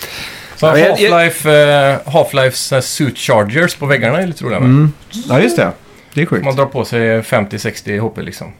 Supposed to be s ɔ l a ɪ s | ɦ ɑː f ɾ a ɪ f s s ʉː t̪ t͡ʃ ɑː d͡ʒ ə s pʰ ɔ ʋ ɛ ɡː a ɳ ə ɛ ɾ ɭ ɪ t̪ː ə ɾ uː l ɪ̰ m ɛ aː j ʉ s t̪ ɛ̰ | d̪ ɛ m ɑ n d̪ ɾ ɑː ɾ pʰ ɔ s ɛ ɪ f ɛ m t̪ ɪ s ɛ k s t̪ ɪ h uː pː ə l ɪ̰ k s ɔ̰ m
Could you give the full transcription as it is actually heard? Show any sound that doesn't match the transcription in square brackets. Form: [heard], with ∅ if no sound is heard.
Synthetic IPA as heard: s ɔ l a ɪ [f] | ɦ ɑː f [l] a ɪ f s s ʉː t̪ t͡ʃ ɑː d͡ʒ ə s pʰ ɔ ʋ ɛ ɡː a ɳ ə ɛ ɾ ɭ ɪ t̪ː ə ɾ uː l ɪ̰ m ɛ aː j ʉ s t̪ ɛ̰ | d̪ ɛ m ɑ n d̪ ɾ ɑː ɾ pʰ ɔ s ɛ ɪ f ɛ m t̪ ɪ s ɛ k s t̪ ɪ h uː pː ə l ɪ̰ k s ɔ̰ m